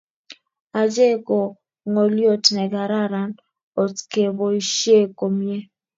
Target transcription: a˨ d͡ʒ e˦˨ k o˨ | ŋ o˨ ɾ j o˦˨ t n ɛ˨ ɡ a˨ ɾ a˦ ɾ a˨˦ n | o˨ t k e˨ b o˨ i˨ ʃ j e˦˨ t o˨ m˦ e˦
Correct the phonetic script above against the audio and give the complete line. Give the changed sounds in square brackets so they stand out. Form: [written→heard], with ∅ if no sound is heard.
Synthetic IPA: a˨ d͡ʒ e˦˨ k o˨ | ŋ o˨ [ɾ→l] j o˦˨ t n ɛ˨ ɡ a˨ ɾ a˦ ɾ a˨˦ n | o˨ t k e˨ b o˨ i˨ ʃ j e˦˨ [t→k] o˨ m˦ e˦